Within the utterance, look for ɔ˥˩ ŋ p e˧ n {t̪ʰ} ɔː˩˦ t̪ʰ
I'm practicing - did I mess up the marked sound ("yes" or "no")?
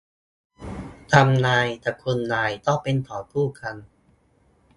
no